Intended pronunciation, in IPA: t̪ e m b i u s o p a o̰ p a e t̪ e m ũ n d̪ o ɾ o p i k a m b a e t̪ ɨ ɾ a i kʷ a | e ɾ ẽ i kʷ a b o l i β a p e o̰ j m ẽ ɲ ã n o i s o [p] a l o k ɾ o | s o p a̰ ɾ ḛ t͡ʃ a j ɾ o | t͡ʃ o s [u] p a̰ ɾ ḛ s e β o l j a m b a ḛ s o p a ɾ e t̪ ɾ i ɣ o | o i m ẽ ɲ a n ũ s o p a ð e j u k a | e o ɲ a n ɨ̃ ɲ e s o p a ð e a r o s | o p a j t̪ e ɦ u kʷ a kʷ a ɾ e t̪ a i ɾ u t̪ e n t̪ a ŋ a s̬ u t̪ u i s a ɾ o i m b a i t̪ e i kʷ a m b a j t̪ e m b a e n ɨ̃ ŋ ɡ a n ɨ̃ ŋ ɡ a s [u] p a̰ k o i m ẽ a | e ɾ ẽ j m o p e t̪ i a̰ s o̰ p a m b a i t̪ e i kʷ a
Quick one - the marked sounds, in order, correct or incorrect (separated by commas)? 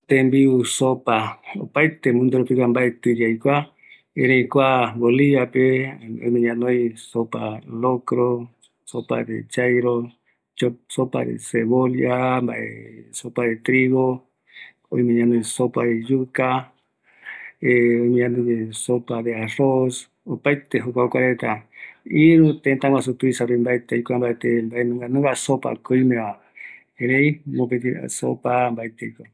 correct, incorrect, incorrect